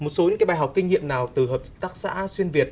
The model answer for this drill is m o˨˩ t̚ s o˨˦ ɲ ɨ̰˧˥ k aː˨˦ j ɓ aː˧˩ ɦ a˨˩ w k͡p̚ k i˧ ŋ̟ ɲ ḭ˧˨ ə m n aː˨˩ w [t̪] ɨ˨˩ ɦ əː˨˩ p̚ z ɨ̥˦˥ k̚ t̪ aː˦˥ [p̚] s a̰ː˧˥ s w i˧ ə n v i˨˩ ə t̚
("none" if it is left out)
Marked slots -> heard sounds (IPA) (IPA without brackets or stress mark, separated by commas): t̪, k̚